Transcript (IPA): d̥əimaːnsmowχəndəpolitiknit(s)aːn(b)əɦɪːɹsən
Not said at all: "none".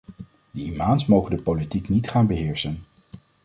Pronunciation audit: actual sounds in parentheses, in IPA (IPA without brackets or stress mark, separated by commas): χ, b